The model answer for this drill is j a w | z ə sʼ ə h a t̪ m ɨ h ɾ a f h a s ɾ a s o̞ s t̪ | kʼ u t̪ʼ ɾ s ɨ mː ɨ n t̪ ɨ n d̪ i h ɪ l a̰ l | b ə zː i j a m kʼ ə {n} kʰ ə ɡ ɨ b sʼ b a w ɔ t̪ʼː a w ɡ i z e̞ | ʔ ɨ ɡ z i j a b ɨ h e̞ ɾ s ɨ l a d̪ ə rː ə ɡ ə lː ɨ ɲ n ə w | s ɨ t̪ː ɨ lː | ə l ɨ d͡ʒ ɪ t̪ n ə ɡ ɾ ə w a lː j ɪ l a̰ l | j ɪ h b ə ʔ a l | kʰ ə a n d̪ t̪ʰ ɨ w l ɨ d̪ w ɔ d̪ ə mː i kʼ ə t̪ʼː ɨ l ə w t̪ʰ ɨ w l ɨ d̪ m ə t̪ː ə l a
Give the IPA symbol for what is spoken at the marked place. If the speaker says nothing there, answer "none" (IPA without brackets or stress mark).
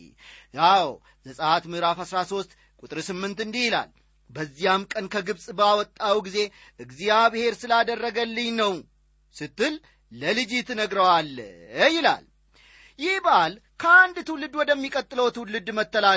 n